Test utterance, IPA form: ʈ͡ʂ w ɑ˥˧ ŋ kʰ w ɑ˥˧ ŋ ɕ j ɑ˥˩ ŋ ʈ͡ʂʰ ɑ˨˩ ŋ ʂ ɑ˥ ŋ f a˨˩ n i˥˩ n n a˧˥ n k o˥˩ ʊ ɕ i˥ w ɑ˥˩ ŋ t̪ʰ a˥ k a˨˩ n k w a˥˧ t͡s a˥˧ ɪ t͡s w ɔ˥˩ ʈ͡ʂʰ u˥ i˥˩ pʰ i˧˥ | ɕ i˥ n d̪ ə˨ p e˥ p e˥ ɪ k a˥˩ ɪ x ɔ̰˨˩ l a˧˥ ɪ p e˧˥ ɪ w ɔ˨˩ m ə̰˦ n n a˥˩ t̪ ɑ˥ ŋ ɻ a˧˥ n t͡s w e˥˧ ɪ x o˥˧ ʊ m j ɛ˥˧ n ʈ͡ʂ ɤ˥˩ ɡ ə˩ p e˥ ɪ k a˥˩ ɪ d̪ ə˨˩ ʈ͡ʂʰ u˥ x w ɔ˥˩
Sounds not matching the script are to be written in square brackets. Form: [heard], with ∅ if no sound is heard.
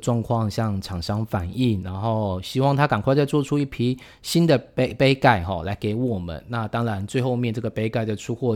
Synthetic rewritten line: ʈ͡ʂ w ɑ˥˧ ŋ kʰ w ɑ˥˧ ŋ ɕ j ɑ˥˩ ŋ ʈ͡ʂʰ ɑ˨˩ ŋ ʂ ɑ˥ ŋ f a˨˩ n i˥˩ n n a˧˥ n [x] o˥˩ ʊ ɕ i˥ w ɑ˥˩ ŋ t̪ʰ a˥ k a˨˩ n k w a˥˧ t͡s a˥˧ ɪ t͡s w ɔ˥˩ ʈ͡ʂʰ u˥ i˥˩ pʰ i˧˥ | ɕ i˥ n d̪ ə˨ p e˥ p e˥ ɪ k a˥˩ ɪ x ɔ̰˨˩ l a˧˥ ɪ [k] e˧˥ ɪ w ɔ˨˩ m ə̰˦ n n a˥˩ t̪ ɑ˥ ŋ ɻ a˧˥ n t͡s w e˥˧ ɪ x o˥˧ ʊ m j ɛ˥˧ n ʈ͡ʂ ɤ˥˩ ɡ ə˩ p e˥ ɪ k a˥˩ ɪ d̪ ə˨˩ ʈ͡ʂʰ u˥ x w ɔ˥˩